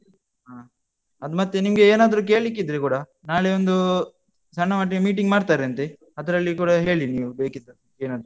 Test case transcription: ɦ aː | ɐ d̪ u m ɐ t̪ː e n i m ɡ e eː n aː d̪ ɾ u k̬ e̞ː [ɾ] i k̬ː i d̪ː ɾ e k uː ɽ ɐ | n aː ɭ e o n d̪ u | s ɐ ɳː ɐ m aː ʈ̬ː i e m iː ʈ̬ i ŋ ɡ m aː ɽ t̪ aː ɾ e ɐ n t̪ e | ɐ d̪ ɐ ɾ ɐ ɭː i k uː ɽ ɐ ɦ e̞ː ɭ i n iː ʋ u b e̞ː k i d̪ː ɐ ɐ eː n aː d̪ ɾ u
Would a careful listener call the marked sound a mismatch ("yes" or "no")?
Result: yes